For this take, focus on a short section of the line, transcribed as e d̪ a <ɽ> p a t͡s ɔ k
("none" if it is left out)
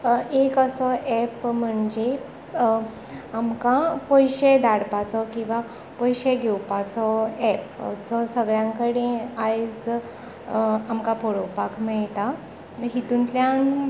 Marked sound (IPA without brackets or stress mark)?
ɽ